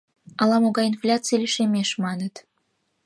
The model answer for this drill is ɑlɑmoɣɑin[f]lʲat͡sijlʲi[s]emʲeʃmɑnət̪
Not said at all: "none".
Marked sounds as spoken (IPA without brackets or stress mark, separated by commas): f, ʃ